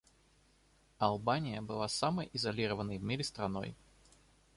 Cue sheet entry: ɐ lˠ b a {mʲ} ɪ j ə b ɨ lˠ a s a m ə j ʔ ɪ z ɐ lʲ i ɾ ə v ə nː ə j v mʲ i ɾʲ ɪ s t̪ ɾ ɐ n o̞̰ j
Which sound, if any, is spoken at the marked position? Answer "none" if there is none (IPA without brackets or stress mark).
nʲ